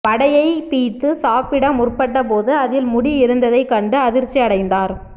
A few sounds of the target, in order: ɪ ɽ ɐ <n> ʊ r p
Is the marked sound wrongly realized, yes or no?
yes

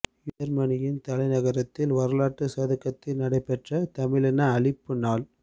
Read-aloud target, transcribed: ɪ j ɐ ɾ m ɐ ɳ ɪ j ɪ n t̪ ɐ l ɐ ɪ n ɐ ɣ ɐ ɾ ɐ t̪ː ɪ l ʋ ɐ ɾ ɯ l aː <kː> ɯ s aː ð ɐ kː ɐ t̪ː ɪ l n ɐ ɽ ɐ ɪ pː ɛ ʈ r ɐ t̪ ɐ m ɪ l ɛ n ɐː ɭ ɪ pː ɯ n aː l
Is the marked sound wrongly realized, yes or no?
yes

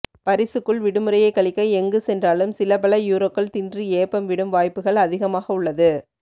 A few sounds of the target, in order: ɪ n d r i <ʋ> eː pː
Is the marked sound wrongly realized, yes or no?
yes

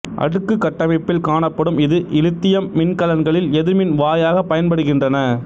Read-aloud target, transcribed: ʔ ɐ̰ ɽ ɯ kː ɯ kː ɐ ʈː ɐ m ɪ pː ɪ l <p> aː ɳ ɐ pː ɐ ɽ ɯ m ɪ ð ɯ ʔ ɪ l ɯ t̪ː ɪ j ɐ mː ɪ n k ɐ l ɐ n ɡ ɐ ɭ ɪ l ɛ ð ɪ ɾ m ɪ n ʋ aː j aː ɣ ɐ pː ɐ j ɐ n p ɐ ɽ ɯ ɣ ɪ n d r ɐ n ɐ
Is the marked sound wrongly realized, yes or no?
yes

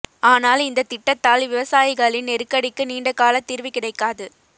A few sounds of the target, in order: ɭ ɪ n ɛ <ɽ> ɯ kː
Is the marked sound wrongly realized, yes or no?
yes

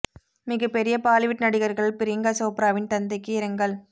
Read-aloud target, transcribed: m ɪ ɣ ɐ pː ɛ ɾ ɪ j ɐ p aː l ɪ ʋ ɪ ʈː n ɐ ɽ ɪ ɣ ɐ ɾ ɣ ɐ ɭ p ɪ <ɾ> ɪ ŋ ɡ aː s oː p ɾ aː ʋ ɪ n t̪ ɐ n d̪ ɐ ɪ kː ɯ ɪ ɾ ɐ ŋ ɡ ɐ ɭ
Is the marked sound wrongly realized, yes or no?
no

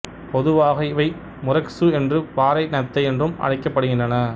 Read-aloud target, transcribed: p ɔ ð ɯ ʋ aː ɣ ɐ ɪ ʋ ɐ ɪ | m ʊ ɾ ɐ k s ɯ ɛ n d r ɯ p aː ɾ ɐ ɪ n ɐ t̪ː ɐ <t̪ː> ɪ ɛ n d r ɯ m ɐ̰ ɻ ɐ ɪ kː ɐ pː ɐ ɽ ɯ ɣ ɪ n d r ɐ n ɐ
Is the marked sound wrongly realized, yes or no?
yes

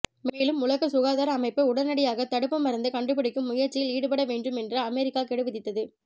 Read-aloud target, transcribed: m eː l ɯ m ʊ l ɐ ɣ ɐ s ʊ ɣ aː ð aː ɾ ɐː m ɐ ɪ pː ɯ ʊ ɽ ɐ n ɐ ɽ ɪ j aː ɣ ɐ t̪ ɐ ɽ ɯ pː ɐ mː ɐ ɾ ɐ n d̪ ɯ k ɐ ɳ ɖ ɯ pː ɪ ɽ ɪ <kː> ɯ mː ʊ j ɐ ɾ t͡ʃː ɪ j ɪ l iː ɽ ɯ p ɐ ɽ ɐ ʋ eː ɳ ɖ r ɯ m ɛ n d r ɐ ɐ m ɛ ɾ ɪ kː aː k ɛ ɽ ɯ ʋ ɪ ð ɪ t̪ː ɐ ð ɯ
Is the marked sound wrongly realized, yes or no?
no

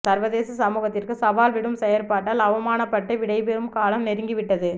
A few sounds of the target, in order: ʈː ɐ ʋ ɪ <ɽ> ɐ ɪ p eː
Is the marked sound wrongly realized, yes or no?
no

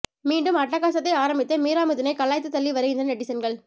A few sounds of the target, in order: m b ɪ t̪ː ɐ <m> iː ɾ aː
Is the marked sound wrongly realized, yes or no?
no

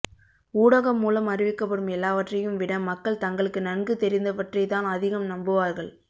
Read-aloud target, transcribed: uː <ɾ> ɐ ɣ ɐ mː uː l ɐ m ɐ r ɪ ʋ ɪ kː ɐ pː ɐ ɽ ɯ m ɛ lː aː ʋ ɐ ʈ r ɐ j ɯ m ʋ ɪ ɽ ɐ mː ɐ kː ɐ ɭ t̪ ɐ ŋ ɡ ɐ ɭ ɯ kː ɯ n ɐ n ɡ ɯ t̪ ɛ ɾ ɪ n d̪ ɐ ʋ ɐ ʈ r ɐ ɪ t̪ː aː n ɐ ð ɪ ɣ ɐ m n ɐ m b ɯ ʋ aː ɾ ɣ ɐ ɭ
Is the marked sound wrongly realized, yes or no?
yes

